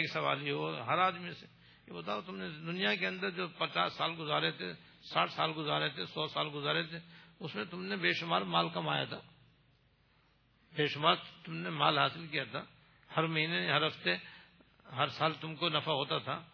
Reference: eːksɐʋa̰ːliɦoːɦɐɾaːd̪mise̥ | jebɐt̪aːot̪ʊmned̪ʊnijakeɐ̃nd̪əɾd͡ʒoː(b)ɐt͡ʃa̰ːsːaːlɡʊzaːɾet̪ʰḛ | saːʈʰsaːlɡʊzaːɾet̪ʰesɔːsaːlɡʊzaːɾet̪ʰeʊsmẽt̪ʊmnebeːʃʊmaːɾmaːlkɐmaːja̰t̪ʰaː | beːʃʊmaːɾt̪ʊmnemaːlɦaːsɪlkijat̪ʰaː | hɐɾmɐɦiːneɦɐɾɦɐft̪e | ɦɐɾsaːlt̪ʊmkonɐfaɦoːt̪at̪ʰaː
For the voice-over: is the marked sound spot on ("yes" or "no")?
no